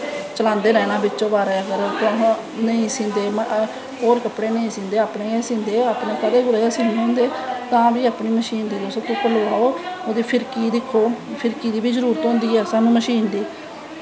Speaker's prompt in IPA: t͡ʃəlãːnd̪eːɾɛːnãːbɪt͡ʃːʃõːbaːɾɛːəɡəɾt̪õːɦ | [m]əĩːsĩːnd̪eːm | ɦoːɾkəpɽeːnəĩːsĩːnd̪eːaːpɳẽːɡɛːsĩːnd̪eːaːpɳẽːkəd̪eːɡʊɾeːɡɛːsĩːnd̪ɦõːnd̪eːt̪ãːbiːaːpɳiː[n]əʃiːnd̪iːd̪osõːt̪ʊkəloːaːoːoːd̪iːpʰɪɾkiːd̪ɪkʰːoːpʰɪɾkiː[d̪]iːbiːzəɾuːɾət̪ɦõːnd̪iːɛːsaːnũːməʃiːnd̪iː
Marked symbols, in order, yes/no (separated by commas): no, no, yes